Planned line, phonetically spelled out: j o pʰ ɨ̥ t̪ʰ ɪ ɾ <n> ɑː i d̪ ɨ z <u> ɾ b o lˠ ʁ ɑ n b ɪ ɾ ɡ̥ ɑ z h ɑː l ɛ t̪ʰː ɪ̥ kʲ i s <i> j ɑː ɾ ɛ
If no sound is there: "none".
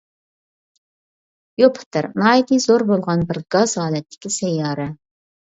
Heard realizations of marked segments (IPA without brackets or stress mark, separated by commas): n, o, ɛ